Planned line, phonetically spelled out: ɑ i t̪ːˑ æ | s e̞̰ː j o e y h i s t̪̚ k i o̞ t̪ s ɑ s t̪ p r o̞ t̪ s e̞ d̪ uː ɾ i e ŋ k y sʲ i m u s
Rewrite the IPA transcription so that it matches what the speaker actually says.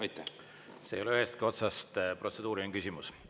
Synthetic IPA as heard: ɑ j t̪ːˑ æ | s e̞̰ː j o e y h e s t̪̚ k i o̞ t̪ s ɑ s t̪ p r o̞ t̪ s e̞ d̪ uː ɾ i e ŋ k y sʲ i m u s